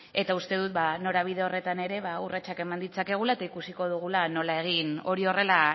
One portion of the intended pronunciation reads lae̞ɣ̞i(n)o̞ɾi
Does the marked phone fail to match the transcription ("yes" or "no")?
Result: no